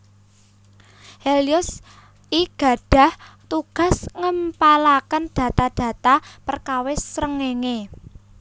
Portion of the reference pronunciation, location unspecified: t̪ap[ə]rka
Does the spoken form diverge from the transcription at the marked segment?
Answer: no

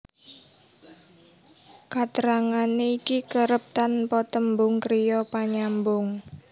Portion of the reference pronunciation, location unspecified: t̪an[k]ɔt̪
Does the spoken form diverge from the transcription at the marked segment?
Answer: yes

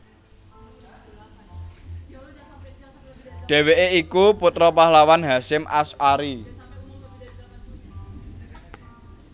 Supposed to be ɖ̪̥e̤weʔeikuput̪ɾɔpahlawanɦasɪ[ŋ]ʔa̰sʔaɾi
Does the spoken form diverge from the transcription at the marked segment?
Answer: yes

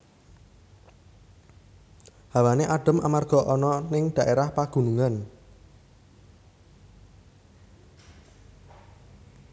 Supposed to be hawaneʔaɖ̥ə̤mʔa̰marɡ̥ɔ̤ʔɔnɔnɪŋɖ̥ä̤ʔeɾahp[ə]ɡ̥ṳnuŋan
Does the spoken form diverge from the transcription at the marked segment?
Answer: yes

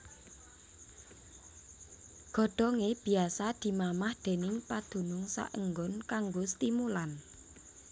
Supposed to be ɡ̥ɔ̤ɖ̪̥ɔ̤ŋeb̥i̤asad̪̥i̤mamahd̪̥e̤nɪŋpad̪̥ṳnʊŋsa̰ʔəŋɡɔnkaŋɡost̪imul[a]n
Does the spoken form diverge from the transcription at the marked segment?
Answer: no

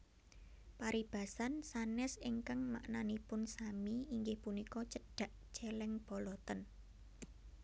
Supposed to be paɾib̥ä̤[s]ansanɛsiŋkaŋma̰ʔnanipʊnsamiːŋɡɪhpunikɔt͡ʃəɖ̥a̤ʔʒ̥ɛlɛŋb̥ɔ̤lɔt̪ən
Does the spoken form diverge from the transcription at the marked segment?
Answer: no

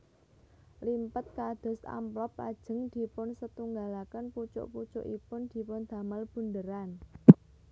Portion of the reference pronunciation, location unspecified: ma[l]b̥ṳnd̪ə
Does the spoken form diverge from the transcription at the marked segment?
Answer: no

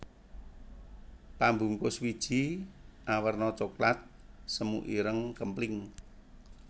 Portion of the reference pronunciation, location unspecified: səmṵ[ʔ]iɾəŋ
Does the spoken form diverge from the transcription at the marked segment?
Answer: no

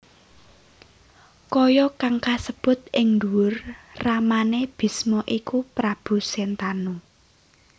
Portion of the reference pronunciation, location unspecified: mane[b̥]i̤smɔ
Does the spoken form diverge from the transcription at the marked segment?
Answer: no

